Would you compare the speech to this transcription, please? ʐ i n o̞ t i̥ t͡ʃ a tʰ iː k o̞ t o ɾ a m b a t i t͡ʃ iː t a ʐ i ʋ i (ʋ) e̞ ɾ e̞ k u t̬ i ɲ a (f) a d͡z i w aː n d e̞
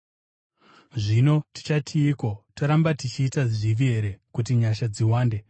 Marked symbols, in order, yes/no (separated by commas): no, no